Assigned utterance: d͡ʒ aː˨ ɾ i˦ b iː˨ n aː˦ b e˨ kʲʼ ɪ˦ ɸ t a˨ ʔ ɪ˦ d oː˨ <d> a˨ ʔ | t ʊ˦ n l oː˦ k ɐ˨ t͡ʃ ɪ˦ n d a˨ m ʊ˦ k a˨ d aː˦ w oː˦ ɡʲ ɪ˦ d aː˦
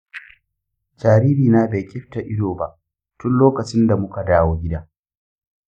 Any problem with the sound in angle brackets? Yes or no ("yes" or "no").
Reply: yes